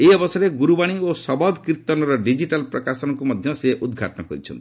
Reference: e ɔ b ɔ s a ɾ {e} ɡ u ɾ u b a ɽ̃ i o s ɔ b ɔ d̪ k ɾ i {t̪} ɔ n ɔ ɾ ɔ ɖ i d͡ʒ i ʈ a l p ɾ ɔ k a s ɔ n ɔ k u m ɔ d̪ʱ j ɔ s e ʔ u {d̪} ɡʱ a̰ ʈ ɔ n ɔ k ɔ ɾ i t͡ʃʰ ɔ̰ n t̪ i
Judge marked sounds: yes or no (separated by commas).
yes, yes, yes